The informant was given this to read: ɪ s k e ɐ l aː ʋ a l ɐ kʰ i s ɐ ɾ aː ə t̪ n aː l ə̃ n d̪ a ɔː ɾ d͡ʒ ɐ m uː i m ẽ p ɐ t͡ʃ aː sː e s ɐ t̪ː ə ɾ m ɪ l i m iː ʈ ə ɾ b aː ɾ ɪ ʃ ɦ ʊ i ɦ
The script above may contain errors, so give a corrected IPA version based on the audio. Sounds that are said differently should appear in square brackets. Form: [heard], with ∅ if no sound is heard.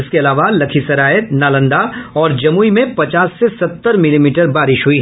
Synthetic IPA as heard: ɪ s k e ɐ l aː ʋ a l ɐ kʰ i s ɐ ɾ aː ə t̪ n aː l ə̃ n d̪ a ɔː ɾ d͡ʒ ɐ m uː i m ẽ p ɐ t͡ʃ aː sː e s ɐ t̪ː ə ɾ m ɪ l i m iː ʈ ə ɾ b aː ɾ ɪ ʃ ɦ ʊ i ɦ